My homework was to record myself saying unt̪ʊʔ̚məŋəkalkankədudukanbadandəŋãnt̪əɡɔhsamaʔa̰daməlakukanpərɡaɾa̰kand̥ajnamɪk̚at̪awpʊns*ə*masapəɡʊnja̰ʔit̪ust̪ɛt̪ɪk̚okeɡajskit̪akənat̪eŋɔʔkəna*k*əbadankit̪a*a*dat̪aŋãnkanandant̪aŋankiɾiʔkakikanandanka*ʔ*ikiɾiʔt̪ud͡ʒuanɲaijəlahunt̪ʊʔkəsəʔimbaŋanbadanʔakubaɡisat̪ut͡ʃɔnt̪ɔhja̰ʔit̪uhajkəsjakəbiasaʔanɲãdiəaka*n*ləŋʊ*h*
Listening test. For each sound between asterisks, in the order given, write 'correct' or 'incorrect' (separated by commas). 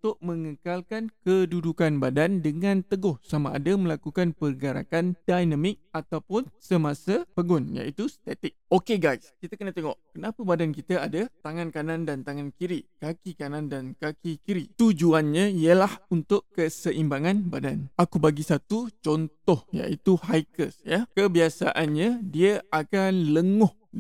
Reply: correct, incorrect, correct, incorrect, correct, correct